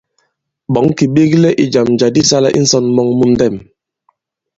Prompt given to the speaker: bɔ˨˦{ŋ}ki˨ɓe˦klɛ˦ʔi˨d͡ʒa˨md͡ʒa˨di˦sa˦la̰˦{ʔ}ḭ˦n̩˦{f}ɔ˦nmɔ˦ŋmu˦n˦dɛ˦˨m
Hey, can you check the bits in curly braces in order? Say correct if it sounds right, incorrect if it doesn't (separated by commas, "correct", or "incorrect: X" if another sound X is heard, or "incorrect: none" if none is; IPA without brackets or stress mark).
correct, correct, incorrect: s